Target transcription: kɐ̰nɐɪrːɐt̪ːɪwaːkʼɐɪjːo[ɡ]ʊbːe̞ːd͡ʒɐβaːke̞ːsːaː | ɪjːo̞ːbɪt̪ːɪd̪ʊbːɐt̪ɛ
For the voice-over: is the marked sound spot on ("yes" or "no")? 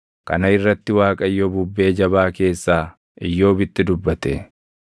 no